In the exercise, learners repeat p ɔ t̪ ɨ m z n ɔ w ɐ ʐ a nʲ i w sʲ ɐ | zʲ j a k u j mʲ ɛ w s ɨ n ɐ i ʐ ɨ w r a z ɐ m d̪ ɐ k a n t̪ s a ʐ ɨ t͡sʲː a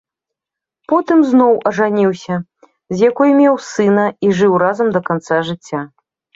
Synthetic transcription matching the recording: p ɔ t̪ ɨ m z n ɔ w ɐ ʐ a nʲ i w sʲ ɐ | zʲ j a k ɔ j mʲ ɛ w s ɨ n ɐ i ʐ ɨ w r a z ɐ m d̪ ɐ k a n t̪ s a ʐ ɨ t͡sʲː a